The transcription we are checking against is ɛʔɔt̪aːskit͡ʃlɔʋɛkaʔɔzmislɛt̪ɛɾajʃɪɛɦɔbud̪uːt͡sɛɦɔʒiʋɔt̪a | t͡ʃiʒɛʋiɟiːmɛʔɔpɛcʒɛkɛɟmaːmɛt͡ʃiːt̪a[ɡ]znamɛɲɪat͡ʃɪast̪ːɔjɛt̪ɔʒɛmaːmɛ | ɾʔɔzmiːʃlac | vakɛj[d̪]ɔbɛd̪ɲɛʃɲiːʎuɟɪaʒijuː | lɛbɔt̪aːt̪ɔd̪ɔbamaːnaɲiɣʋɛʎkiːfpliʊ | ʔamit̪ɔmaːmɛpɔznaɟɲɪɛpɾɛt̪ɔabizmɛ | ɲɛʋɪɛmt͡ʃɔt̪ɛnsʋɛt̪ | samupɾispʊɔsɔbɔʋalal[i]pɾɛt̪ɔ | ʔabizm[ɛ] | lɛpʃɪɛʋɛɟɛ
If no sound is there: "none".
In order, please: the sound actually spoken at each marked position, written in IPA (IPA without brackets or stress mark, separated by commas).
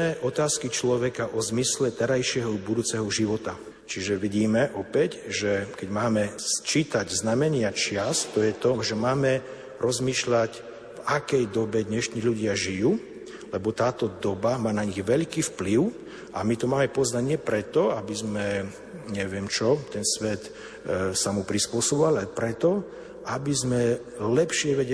ɟ, d̪, ɛ, ɛ